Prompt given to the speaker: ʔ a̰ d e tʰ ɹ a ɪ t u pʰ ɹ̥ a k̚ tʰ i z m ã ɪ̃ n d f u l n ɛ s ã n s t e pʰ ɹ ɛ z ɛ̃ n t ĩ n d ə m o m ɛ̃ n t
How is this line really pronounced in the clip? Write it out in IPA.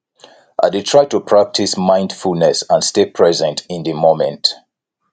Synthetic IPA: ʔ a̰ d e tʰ ɹ a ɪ t u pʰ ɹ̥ a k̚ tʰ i s m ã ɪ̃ n d f u l n ɛ s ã n s t e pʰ ɹ ɛ z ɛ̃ n t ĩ n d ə m o m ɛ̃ n t